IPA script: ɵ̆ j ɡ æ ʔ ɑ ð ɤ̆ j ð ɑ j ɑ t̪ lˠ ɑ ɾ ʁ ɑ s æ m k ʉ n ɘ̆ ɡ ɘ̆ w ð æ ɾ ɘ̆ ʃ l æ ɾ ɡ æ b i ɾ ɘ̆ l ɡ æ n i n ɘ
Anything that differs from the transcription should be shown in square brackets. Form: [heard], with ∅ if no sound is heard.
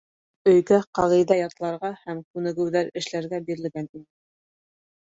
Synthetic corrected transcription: ɵ̆ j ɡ æ [q] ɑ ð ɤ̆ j ð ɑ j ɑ t̪ lˠ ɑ ɾ ʁ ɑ [h] æ m k ʉ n ɘ̆ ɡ ɘ̆ w ð æ ɾ ɘ̆ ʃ l æ ɾ ɡ æ b i ɾ ɘ̆ l ɡ æ n i n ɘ